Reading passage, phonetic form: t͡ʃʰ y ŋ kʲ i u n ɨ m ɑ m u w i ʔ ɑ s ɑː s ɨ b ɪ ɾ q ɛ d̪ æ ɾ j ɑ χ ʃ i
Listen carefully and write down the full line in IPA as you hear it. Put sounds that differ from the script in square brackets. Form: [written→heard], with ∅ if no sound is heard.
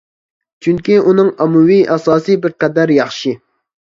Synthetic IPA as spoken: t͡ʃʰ y ŋ kʲ i u n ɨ [m→ŋ] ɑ m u w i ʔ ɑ s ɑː s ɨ b ɪ ɾ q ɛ d̪ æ ɾ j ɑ χ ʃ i

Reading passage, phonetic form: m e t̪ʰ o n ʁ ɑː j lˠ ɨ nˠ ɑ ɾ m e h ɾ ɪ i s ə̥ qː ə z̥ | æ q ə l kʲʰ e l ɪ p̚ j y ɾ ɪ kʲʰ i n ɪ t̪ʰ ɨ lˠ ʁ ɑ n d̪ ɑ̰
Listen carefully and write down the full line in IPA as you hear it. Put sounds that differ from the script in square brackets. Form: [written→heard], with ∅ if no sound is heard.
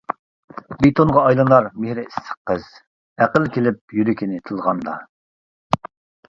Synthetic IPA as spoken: [m→b] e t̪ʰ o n ʁ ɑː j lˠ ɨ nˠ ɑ ɾ m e h ɾ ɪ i s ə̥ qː ə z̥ | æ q ə l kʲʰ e l ɪ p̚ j y ɾ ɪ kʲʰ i n ɪ t̪ʰ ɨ lˠ ʁ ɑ n d̪ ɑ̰

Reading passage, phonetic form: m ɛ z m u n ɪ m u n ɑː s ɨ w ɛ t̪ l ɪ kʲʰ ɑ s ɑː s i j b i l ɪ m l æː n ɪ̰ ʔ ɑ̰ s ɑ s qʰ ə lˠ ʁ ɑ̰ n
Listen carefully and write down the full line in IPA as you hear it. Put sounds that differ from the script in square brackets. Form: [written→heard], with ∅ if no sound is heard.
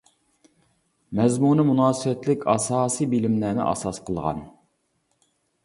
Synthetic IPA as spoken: m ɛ z m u n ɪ m u n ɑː s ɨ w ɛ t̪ l ɪ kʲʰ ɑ s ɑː s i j b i l ɪ m l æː n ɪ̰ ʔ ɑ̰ s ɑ s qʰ ə lˠ ʁ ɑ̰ n

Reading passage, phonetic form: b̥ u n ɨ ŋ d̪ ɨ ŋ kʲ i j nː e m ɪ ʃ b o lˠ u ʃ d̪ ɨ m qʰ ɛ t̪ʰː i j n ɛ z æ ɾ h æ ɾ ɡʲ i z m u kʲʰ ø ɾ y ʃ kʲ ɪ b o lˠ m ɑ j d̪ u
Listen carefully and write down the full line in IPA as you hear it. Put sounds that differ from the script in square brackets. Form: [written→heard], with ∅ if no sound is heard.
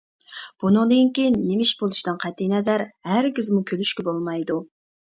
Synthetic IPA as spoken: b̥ u n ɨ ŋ d̪ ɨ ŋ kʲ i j nː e m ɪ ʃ b o lˠ u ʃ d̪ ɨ [m→n] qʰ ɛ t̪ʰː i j n ɛ z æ ɾ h æ ɾ ɡʲ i z m u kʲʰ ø [ɾ→l] y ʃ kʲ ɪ b o lˠ m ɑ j d̪ u

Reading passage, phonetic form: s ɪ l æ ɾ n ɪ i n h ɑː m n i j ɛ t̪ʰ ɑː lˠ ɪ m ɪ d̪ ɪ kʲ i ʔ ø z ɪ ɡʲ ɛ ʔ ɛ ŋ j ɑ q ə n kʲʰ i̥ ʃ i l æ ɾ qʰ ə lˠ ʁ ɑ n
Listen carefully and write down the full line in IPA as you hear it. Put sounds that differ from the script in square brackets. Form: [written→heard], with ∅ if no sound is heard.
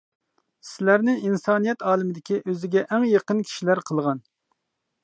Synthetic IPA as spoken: s ɪ l æ ɾ n ɪ i n [h→s] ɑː [m→∅] n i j ɛ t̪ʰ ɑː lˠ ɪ m ɪ d̪ ɪ kʲ i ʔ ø z ɪ ɡʲ ɛ ʔ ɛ ŋ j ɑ q ə n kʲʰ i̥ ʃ i l æ ɾ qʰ ə lˠ ʁ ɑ n

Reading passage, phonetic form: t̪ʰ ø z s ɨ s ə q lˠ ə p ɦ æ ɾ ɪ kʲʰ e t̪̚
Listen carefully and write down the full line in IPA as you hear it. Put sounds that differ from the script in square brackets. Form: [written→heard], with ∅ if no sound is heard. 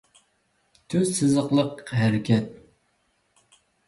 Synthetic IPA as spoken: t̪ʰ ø z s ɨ [s→z] ə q lˠ ə [p→q] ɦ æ ɾ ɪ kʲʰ [e→ɛ] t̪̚

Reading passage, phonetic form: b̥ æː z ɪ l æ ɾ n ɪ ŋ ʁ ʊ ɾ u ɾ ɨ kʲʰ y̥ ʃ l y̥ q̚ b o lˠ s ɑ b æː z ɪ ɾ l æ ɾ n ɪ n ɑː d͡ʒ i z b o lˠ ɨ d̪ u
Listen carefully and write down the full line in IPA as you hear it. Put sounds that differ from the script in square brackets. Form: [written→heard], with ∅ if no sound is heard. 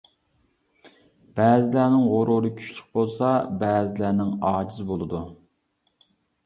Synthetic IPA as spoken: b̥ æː z ɪ l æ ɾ n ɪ ŋ ʁ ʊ ɾ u ɾ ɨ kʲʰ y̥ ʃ l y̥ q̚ b o lˠ s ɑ b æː z ɪ [ɾ→∅] l æ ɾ n ɪ [n→ŋ] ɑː d͡ʒ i z b o lˠ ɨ d̪ u

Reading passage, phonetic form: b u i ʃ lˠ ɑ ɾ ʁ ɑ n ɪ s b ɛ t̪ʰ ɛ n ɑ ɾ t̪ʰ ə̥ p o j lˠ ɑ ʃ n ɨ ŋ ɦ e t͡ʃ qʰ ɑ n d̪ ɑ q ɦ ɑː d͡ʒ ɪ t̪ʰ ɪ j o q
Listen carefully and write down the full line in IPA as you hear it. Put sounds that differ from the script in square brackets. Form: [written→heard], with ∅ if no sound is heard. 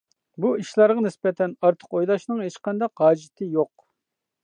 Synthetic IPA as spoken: b u i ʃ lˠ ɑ ɾ ʁ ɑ n ɪ s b ɛ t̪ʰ ɛ n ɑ ɾ t̪ʰ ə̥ [p→q] o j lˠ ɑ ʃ n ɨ ŋ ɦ e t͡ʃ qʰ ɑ n d̪ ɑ q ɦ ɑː d͡ʒ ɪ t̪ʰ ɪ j o q

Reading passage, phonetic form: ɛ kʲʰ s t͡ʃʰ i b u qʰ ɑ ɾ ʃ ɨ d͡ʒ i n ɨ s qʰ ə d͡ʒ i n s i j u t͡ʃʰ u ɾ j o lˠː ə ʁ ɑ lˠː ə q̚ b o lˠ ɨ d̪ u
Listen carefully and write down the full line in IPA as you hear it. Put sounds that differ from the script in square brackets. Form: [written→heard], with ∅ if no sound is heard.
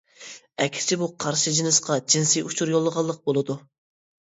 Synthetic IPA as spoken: ɛ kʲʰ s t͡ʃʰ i b u qʰ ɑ ɾ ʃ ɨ d͡ʒ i n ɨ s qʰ [ə→ɑ] d͡ʒ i n s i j u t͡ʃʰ u ɾ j o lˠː ə ʁ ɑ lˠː ə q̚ b o lˠ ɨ d̪ u

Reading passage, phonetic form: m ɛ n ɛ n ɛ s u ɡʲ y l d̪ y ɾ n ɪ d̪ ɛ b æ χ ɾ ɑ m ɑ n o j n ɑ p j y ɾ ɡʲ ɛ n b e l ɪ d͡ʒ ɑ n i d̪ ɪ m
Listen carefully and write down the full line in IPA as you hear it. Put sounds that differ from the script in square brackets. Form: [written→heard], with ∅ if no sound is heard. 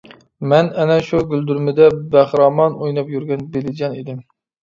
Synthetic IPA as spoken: m ɛ n ɛ n ɛ [s→ʃ] u ɡʲ y l d̪ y ɾ [n→m] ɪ d̪ ɛ b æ χ ɾ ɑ m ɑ n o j n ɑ p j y ɾ ɡʲ ɛ n b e l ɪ d͡ʒ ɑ n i d̪ ɪ m

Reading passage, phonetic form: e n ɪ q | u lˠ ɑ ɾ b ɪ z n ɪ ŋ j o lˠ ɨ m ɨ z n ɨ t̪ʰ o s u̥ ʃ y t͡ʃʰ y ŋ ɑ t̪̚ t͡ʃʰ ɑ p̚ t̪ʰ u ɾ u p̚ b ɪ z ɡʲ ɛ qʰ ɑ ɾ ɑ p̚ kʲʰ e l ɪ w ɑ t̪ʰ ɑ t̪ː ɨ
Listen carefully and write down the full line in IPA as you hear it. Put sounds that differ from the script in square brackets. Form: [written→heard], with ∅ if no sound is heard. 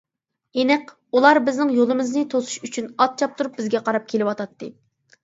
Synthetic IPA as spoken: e n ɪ q | u lˠ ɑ ɾ b ɪ z n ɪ ŋ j o lˠ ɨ m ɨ z n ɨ t̪ʰ o s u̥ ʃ y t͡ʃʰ y [ŋ→n] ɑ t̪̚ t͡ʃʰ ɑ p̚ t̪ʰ u ɾ u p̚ b ɪ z ɡʲ ɛ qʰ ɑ ɾ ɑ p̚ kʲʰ e l ɪ w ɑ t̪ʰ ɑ t̪ː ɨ

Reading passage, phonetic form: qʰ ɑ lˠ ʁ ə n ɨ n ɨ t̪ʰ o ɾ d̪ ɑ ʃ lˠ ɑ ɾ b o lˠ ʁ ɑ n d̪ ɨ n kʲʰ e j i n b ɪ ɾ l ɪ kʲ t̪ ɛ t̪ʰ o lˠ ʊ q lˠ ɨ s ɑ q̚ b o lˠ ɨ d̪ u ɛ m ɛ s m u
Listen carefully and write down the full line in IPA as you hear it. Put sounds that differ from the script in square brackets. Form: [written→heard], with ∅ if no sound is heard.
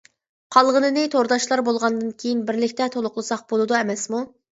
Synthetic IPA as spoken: qʰ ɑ lˠ ʁ ə n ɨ n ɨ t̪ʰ o ɾ d̪ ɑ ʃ lˠ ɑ ɾ b o lˠ ʁ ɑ n d̪ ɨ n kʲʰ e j i n b ɪ ɾ l ɪ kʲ t̪ ɛ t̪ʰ o lˠ ʊ q lˠ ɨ s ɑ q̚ b o lˠ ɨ d̪ u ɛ m ɛ s m u

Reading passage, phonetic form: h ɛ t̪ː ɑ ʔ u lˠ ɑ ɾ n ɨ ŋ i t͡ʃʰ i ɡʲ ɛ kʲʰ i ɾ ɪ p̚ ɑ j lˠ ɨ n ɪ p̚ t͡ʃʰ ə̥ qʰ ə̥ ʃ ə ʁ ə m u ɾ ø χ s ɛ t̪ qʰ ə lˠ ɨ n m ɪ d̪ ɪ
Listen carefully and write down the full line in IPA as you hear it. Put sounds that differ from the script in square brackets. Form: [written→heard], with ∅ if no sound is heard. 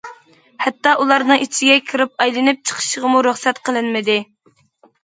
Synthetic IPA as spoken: h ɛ t̪ː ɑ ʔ u lˠ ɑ ɾ n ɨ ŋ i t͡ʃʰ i ɡʲ ɛ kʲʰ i ɾ ɪ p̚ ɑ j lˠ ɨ n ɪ p̚ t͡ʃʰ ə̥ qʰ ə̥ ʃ ə ʁ ə m u ɾ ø χ s ɛ t̪ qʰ ə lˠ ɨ n m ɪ d̪ ɪ

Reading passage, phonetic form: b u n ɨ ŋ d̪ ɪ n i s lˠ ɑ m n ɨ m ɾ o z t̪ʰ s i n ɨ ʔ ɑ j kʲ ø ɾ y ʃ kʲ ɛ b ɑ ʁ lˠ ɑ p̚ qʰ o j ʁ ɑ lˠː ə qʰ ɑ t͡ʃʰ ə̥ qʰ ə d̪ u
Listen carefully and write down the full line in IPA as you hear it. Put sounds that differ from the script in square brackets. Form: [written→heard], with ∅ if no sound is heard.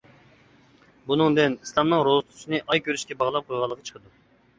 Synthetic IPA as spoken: b u n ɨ ŋ d̪ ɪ n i s lˠ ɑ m n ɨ [m→ŋ] ɾ o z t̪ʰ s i n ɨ ʔ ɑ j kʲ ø ɾ y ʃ kʲ ɛ b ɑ ʁ lˠ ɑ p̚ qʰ o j ʁ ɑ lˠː ə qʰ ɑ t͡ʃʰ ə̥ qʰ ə d̪ u

